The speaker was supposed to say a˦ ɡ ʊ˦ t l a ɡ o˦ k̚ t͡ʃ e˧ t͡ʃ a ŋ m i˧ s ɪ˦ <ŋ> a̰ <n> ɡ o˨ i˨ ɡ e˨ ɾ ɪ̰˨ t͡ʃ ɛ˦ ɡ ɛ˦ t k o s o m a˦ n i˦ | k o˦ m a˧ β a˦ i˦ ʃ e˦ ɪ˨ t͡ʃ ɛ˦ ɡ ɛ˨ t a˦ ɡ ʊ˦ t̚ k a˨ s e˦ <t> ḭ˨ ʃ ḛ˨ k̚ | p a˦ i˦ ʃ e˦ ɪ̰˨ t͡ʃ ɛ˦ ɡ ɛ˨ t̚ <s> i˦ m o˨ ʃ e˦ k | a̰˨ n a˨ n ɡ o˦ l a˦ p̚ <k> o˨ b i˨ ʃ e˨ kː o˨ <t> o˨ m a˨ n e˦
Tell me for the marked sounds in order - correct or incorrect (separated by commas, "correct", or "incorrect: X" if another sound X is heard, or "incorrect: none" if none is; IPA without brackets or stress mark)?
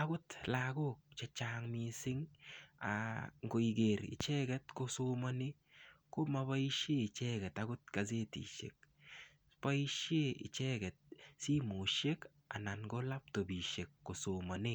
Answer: correct, incorrect: ŋ, correct, correct, incorrect: t, incorrect: s